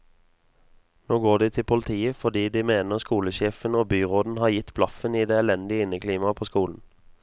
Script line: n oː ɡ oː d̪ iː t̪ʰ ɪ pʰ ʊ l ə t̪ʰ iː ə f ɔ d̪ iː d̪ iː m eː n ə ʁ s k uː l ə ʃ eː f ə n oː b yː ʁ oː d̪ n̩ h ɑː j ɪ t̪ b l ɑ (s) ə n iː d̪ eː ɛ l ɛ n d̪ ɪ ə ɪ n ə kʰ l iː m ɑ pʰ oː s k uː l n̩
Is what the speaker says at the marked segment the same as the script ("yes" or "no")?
no